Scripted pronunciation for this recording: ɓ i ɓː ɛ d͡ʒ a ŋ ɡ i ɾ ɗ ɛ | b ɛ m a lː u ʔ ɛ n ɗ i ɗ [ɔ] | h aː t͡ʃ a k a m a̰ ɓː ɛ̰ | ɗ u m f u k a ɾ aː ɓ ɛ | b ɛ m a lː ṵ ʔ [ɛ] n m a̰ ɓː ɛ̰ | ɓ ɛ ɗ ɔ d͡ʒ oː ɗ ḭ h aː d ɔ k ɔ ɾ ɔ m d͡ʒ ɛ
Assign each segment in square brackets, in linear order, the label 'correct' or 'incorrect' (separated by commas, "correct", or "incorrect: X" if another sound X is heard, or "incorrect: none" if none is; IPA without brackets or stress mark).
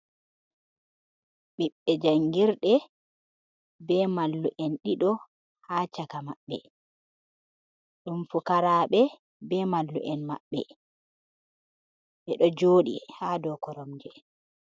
correct, correct